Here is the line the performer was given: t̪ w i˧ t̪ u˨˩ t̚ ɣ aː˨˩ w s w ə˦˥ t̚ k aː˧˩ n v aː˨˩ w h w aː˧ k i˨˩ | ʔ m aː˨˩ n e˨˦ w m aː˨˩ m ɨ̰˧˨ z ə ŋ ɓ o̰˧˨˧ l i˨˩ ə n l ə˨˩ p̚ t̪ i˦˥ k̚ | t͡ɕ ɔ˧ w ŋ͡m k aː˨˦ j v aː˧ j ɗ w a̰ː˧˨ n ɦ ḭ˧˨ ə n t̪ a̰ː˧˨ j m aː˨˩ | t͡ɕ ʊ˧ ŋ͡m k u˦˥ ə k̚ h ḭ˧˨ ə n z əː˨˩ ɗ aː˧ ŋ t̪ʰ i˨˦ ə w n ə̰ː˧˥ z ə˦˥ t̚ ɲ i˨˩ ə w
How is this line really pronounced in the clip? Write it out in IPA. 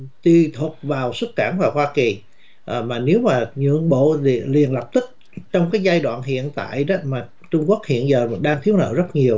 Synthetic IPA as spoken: t̪ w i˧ t̪ʰ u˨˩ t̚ v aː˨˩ w s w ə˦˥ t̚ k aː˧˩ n v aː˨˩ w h w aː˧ k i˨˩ | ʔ m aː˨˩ n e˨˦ w m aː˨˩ ɲ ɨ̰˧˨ ə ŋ ɓ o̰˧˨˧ l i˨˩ ə n l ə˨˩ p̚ t̪ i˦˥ k̚ | t͡ɕ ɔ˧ w ŋ͡m k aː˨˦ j z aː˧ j ɗ w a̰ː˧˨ n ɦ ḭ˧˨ ə n t̪ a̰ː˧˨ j m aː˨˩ | t͡ɕ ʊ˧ ŋ͡m k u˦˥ ə k̚ h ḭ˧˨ ə n z əː˨˩ ɗ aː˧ ŋ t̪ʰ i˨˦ ə w n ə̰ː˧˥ z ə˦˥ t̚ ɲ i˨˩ ə w